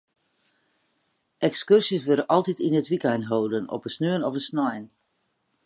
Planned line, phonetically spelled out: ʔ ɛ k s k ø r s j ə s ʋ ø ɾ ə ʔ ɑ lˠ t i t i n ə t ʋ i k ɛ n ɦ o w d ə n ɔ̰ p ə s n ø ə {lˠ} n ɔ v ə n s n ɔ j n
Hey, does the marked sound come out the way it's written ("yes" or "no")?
no